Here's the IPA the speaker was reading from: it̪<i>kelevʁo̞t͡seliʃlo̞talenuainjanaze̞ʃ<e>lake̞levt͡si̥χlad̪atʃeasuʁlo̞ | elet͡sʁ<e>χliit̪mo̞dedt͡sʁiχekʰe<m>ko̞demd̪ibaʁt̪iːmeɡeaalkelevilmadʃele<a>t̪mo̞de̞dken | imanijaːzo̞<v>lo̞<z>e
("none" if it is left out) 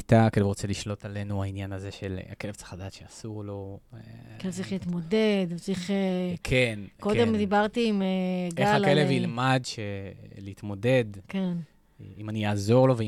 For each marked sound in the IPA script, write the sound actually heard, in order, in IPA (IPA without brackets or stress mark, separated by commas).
a, e, i, n, i, ʁ, v